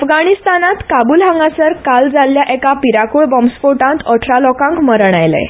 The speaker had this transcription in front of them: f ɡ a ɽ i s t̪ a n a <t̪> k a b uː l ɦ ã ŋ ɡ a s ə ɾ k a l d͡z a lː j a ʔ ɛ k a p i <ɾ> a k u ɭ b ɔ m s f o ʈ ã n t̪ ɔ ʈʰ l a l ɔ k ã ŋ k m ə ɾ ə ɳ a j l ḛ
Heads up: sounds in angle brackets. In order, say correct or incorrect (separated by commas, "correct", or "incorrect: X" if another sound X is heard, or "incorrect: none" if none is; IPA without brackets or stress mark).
correct, correct